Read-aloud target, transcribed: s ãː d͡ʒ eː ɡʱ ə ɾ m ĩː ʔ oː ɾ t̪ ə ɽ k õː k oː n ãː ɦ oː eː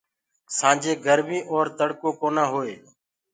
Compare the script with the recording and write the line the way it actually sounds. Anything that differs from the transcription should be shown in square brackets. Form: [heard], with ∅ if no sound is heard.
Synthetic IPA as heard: s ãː d͡ʒ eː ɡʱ ə ɾ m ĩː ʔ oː ɾ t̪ ə ɽ k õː k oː n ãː ɦ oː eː

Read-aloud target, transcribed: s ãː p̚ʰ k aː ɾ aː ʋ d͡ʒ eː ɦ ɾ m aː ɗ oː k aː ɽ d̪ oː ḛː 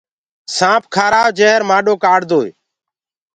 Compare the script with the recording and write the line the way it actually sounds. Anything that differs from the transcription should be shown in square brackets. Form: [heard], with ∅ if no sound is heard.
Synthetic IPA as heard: s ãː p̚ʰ [kʰ] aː ɾ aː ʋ d͡ʒ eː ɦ ɾ m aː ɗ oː k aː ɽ d̪ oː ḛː

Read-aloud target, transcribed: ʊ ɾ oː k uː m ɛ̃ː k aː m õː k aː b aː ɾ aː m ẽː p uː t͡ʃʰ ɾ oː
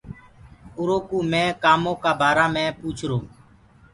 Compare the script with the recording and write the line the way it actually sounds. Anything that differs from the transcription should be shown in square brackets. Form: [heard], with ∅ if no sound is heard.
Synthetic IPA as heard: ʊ ɾ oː k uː m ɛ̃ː k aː m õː k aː b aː ɾ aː m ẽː p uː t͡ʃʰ ɾ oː

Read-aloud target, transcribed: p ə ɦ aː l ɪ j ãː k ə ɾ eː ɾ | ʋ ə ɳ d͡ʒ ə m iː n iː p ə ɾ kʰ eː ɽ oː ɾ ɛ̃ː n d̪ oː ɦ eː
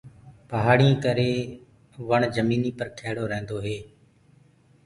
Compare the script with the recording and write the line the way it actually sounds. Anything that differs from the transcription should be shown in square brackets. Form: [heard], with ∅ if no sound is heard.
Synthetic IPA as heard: p ə ɦ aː [ɽ] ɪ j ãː k ə ɾ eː [∅] | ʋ ə ɳ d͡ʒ ə m iː n iː p ə ɾ kʰ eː ɽ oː ɾ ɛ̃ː n d̪ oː ɦ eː

